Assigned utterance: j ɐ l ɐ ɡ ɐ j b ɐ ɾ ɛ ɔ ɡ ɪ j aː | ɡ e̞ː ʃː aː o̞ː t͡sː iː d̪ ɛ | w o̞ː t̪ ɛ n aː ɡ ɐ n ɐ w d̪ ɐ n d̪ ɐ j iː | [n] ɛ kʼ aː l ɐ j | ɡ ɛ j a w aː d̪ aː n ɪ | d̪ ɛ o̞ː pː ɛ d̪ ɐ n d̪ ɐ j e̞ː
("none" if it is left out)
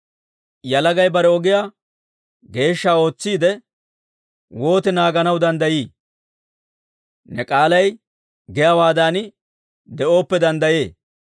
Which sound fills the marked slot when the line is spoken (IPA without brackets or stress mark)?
n